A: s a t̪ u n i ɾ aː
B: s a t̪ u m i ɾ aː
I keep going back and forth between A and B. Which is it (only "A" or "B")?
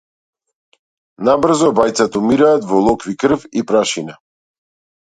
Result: B